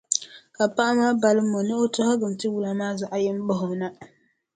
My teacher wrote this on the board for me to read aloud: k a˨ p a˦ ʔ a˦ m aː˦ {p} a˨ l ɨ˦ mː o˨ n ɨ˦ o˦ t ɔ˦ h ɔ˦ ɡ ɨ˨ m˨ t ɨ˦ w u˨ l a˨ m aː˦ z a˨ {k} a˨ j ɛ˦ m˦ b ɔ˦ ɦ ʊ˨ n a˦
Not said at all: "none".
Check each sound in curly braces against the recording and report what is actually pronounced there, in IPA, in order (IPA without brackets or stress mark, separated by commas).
b, ʔ